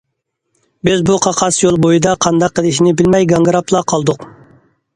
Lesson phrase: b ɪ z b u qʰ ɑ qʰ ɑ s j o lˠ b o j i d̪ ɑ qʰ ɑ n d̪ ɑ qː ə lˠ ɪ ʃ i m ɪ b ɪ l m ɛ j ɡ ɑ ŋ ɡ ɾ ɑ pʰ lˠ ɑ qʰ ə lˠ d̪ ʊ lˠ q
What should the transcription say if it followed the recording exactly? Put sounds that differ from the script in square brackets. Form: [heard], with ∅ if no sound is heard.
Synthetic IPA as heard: b ɪ z b u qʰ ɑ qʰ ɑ s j o lˠ b o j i d̪ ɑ qʰ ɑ n d̪ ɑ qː ə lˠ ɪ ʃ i [n] ɪ b ɪ l m ɛ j ɡ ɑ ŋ ɡ ɾ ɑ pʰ lˠ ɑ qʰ [ɑ] lˠ d̪ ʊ [∅] q

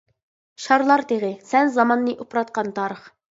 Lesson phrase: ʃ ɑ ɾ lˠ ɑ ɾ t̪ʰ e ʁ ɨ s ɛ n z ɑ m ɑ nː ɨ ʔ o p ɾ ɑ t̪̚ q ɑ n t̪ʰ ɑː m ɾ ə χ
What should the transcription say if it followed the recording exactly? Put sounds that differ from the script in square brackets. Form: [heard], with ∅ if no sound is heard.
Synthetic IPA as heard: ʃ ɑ ɾ lˠ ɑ ɾ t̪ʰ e ʁ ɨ s ɛ n z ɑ m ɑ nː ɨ ʔ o p ɾ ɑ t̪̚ q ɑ n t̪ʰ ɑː [∅] ɾ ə χ

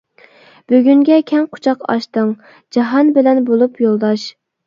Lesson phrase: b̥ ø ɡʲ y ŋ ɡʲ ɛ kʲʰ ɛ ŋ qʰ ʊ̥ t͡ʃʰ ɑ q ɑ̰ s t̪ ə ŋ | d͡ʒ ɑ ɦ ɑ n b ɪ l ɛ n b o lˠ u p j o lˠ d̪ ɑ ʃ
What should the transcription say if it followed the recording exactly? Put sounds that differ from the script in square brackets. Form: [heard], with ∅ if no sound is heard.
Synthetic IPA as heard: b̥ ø ɡʲ y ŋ ɡʲ ɛ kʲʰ ɛ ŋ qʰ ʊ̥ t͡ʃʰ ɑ q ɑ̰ [ʃ] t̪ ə ŋ | d͡ʒ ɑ ɦ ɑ n b ɪ l ɛ n b o lˠ u p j o lˠ d̪ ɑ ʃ

